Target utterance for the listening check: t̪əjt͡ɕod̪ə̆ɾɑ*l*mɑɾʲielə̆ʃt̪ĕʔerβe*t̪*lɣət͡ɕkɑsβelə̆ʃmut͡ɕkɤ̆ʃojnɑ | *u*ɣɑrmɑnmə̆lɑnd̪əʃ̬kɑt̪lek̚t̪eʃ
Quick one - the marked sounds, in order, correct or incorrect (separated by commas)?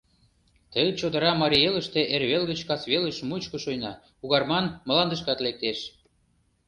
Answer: incorrect, incorrect, correct